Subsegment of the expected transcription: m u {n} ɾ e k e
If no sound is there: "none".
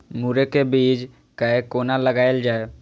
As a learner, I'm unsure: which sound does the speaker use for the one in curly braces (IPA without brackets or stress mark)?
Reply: none